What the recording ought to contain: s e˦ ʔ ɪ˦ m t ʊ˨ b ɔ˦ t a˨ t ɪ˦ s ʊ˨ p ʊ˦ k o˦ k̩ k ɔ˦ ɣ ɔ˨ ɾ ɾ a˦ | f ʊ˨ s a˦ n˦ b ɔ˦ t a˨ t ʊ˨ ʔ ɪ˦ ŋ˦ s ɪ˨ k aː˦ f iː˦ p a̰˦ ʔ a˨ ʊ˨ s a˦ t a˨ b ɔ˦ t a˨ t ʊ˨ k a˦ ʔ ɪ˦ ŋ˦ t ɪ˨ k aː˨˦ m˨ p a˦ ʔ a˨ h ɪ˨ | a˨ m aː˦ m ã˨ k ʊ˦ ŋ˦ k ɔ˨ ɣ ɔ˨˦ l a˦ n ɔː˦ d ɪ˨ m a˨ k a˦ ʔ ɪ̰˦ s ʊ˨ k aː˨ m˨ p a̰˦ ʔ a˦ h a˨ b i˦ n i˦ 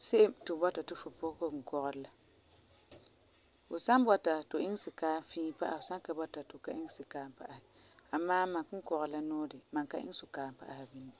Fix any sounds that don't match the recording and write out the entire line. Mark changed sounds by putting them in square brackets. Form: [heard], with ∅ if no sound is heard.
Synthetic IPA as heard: s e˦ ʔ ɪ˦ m t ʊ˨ b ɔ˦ t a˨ t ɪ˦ [f] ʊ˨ p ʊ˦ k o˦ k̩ k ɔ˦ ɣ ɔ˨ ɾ [l] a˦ | f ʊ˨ s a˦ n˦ b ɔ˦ t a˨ t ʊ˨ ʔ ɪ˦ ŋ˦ s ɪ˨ k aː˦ f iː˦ p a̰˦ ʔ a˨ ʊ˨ s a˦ [k] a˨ b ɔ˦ t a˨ t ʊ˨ k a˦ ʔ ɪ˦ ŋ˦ [s] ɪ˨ k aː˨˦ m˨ p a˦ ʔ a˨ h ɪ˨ | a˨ m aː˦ m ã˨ k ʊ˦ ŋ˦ k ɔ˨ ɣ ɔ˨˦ l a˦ n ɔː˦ d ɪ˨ m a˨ k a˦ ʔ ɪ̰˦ s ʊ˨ k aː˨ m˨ p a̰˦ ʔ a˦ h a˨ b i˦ n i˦

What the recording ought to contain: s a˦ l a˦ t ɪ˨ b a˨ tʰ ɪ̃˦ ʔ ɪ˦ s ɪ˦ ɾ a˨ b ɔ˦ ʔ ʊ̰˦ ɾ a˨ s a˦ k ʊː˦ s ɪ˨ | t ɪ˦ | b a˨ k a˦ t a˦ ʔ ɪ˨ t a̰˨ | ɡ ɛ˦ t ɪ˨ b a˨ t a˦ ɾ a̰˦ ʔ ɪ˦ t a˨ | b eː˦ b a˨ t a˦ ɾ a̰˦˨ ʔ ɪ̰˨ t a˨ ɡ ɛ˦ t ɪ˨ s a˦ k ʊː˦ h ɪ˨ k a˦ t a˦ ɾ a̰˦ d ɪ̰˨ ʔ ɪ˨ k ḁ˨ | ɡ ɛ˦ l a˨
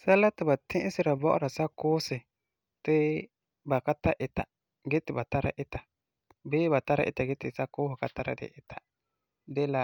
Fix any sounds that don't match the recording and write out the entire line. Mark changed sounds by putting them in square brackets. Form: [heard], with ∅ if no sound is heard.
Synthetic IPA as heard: s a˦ l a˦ t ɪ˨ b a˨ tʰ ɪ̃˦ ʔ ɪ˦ s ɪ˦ ɾ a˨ b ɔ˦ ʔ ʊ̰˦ ɾ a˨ s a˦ k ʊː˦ s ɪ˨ | t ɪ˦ | b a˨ k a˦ t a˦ ʔ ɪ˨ t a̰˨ | ɡ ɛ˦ t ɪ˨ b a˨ t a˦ ɾ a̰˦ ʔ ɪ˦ t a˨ | b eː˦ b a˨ t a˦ ɾ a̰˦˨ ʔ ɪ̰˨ t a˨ ɡ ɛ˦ t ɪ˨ s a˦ k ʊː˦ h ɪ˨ k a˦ t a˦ ɾ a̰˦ d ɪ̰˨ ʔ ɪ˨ [t] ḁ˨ | [d] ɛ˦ l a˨

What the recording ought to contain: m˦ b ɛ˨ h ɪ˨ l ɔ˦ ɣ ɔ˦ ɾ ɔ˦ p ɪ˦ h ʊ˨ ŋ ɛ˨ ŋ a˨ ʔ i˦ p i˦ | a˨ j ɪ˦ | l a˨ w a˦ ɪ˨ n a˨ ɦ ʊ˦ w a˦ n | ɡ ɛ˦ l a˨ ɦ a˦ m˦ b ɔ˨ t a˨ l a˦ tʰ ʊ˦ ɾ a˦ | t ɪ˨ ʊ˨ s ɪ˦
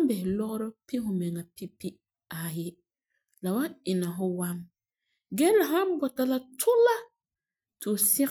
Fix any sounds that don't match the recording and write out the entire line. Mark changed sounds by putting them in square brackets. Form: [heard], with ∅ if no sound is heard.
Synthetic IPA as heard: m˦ b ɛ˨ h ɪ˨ l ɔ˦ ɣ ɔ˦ ɾ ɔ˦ p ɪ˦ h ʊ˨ [m] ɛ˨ ŋ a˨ [p] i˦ p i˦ | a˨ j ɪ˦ | l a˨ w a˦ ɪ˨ n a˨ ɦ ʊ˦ w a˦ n | ɡ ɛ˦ l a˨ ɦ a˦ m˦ b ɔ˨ t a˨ l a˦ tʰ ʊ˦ [l] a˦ | t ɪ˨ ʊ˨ s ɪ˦

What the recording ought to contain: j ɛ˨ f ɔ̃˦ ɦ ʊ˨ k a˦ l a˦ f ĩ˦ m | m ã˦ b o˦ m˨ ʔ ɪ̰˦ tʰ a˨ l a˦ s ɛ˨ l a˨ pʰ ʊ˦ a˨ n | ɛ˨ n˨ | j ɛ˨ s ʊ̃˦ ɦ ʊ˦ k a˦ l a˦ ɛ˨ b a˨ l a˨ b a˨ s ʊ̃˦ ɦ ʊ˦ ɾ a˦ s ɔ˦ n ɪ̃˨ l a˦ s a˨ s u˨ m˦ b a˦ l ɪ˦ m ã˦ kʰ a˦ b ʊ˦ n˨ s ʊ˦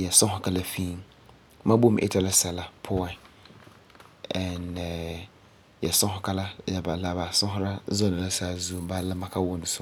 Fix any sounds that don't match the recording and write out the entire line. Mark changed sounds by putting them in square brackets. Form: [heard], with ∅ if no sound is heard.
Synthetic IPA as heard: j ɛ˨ [s] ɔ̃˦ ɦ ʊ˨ k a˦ l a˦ f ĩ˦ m | m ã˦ b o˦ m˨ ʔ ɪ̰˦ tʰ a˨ l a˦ s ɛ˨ l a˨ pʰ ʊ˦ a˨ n | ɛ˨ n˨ | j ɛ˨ s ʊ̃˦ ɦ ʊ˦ k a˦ l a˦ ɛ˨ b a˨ l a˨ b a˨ s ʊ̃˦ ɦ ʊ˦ ɾ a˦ [z] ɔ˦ n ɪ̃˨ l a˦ s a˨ [z] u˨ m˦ b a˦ l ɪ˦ m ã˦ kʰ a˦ [w] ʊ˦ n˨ s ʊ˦

